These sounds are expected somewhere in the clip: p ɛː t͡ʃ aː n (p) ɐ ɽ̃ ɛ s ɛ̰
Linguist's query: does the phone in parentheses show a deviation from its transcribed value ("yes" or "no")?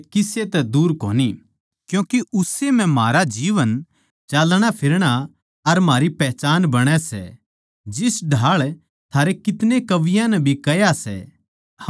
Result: yes